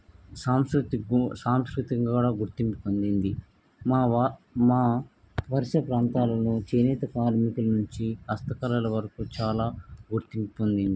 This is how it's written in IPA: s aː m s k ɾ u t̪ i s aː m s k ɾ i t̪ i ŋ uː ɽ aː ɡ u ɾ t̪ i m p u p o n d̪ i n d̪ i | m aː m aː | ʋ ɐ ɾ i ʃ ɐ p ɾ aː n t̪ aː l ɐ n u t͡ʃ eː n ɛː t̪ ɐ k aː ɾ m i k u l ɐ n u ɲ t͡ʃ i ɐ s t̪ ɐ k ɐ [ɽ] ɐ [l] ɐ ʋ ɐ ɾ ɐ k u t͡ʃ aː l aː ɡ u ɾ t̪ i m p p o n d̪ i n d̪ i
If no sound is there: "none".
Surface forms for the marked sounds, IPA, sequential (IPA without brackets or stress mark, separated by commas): l, l